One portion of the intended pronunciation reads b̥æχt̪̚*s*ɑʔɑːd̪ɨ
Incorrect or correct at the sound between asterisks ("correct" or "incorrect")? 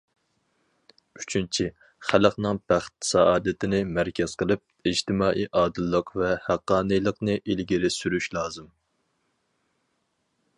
correct